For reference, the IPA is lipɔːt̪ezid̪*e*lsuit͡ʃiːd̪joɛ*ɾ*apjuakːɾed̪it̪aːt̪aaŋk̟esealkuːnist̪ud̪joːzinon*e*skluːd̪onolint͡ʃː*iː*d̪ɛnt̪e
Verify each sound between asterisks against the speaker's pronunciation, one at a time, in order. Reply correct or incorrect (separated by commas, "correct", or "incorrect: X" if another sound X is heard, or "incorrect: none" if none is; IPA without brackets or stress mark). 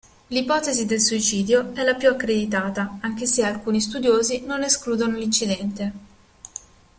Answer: correct, incorrect: l, correct, incorrect: i